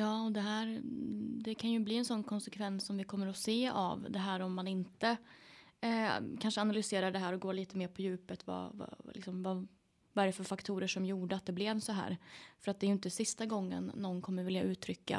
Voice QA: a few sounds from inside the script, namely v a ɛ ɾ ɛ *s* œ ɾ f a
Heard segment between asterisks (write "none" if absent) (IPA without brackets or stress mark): f